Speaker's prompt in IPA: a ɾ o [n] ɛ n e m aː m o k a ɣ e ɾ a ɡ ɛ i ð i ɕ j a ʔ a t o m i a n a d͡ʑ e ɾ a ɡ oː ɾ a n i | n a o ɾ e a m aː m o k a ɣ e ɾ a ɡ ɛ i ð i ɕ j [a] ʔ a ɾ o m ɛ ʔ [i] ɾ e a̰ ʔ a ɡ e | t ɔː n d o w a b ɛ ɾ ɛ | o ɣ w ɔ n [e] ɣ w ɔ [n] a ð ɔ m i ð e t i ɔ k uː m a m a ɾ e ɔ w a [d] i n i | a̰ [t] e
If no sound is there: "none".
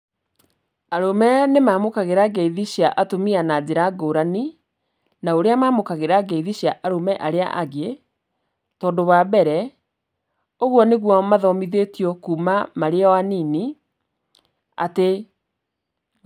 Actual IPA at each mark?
m, a, a, e, m, n, t

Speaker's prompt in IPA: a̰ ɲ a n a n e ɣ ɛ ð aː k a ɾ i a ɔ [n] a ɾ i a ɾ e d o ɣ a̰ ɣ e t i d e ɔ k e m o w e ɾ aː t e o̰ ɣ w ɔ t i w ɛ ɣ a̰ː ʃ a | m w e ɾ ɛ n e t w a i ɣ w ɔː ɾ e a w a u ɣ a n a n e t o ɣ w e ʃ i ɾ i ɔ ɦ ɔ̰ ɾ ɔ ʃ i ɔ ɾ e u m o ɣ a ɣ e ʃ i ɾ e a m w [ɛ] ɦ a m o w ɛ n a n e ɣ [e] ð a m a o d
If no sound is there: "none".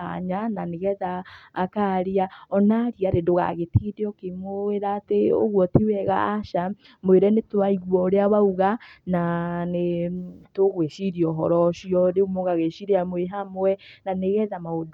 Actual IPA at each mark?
n, e, ɛ

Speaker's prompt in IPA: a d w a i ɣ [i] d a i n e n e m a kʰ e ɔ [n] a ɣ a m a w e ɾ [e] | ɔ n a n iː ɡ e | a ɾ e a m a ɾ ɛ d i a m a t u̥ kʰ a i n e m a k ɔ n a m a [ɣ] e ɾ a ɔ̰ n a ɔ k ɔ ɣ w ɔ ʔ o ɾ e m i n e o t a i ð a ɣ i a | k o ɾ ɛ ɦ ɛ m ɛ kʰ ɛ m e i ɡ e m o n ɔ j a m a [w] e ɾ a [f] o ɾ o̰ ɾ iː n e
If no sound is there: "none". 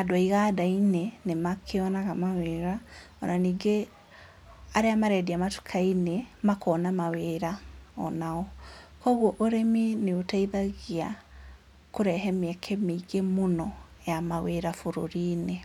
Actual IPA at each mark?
a, n, a, w, w, f

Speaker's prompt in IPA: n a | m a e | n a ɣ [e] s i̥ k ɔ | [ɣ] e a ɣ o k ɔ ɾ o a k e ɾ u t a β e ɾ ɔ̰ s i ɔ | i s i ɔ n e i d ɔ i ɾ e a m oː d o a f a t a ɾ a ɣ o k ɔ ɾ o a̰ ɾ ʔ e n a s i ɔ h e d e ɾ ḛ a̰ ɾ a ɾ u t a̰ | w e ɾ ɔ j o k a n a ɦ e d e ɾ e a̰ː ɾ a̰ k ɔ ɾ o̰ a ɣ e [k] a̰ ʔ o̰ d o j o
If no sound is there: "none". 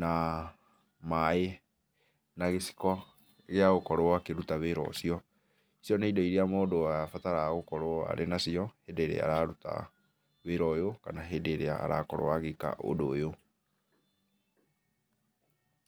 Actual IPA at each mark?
e, ɣ, k

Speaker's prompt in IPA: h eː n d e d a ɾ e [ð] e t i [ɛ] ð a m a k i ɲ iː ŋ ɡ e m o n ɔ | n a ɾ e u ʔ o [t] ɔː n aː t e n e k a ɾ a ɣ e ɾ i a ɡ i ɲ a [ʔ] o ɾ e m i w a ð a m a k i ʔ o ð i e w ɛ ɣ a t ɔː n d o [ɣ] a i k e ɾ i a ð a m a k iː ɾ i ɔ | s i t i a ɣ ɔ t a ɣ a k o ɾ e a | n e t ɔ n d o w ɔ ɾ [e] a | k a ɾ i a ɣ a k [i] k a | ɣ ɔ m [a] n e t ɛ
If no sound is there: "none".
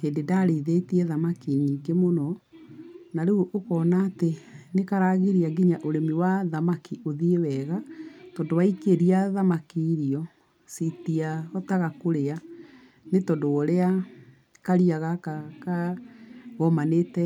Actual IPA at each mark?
ð, ɛ, k, ʔ, w, e, a, a

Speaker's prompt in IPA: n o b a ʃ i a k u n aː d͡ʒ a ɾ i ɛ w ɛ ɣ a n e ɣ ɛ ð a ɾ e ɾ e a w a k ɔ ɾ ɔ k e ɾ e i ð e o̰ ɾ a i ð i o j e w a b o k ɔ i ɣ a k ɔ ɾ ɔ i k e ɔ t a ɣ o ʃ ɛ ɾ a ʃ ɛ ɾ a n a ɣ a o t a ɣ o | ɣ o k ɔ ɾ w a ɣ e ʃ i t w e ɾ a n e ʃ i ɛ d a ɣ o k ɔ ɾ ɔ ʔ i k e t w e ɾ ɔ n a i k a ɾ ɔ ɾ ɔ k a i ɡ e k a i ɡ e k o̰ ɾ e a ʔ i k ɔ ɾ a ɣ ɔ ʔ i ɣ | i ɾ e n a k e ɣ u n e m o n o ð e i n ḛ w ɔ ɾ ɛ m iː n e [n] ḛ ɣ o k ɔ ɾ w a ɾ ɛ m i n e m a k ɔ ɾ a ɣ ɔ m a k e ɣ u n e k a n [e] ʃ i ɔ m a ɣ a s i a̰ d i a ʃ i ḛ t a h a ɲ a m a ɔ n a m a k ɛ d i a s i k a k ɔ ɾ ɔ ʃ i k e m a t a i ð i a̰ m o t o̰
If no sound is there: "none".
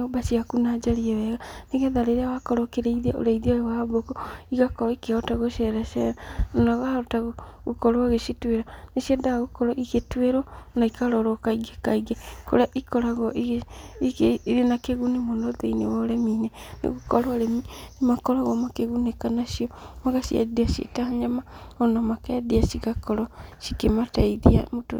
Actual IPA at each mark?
n, a

